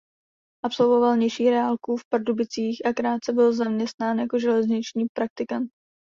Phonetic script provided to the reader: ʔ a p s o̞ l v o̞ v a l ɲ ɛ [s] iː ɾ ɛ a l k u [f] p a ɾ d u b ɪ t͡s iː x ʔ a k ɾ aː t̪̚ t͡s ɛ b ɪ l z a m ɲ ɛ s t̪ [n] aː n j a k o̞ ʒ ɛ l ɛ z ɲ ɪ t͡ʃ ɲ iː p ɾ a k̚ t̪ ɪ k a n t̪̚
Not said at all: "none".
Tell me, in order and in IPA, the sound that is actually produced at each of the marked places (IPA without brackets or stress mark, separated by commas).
ʃ, f, n